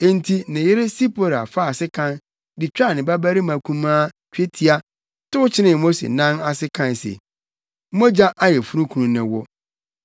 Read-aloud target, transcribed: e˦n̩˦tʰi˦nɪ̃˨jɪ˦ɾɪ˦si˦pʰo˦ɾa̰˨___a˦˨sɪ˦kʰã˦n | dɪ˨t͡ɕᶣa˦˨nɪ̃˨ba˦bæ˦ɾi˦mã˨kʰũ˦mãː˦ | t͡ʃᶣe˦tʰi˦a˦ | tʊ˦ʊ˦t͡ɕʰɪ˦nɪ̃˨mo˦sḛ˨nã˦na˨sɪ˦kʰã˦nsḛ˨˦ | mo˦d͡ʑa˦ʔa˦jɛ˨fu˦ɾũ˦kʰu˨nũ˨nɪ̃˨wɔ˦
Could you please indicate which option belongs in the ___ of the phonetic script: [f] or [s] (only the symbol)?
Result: f